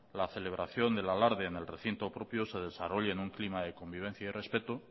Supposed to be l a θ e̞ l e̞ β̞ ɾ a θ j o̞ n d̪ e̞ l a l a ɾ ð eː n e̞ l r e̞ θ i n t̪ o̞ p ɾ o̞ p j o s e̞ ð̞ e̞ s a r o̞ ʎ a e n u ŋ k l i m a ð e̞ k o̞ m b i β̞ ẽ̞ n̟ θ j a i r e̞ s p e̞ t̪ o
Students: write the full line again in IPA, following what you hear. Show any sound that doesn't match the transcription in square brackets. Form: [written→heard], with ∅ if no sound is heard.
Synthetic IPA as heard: l a θ e̞ l e̞ β̞ ɾ a θ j o̞ n d̪ e̞ l a l a ɾ ð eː n e̞ l r e̞ θ i n t̪ o̞ p ɾ o̞ p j o s e̞ ð̞ e̞ s a r o̞ ʎ a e n u ŋ k l i m a ð e̞ k o̞ m b i β̞ [ẽ̞→e̞] n̟ θ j a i r e̞ s p e̞ t̪ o